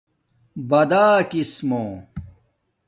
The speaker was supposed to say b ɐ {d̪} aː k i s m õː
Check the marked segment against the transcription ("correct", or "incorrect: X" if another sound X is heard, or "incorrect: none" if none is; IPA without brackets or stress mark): correct